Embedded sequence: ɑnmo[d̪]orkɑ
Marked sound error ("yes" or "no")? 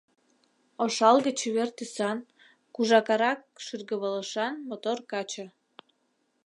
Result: yes